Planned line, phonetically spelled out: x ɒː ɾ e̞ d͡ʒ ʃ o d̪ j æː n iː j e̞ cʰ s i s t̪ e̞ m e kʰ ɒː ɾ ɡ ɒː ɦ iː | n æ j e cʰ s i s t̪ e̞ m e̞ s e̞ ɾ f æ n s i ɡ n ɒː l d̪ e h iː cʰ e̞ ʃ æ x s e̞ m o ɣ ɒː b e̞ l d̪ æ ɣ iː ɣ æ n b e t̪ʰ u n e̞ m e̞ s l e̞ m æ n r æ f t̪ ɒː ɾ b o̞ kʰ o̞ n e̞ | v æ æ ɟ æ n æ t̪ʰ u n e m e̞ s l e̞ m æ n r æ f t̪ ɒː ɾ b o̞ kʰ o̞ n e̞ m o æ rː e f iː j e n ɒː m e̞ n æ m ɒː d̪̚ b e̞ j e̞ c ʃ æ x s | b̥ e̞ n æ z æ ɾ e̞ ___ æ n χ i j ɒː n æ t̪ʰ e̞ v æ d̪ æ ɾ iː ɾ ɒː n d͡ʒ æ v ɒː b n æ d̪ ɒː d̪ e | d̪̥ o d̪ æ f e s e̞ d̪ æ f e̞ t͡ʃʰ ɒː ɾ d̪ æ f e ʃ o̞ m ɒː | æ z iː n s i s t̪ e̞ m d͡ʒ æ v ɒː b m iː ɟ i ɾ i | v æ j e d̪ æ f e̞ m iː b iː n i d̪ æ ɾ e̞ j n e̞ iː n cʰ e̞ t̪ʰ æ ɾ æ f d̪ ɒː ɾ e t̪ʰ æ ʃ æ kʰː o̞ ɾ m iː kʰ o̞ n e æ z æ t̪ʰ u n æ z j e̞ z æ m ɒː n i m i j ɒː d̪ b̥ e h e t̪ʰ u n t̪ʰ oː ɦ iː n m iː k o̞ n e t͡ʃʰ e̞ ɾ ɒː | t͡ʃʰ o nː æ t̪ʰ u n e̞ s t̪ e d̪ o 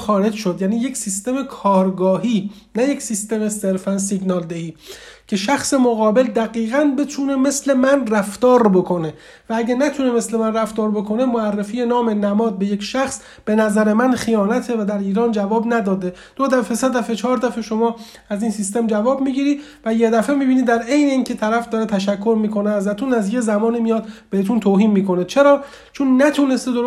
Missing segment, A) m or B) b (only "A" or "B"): A